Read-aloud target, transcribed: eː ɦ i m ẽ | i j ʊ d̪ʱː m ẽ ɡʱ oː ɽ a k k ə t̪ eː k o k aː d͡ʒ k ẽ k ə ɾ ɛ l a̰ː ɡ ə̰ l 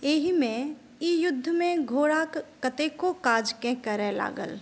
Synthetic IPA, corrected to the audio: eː ɦ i m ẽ | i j ʊ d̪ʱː m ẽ ɡʱ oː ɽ a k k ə t̪ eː k o k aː d͡ʒ k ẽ k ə ɾ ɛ l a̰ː ɡ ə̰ l